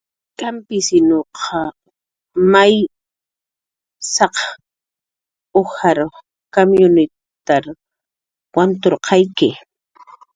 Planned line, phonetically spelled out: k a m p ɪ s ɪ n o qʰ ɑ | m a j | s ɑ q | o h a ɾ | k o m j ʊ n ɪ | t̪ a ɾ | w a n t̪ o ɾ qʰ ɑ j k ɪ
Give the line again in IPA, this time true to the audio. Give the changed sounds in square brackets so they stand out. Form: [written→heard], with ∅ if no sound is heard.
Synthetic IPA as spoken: k a m p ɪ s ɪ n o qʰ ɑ | m a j | s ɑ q | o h a ɾ | k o m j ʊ n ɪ | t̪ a ɾ | w a n t̪ o ɾ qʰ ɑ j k ɪ